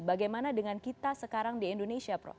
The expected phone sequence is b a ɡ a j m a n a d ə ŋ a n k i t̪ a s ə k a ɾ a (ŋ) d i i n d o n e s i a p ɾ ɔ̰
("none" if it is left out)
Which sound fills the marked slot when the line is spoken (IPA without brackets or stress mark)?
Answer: ŋ